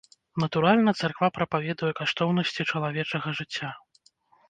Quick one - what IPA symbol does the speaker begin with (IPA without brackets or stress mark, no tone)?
n